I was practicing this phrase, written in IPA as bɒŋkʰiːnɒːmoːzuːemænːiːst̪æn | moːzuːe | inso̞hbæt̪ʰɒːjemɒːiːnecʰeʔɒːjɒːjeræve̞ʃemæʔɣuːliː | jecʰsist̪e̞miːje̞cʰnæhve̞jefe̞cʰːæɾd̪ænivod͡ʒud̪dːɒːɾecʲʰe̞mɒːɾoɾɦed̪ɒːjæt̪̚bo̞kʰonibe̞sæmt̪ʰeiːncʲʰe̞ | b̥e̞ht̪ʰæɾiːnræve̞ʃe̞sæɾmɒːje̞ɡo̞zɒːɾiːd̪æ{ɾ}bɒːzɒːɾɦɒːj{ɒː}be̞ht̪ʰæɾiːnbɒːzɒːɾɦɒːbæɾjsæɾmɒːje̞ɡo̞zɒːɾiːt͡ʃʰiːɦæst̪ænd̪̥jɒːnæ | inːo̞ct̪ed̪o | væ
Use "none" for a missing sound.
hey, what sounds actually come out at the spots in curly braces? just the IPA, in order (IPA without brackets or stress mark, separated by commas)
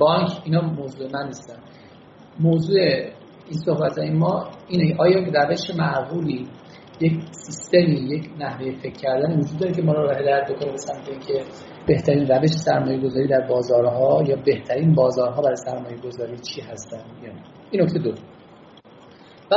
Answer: ɾ, ɒː